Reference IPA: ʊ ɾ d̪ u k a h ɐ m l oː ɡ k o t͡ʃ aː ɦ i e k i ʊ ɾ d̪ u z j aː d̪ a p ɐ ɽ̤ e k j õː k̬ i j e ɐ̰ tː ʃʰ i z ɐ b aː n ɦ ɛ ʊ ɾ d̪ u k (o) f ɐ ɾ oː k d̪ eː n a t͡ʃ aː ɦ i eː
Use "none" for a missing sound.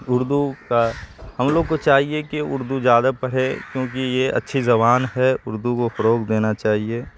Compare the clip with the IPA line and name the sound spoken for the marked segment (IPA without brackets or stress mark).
o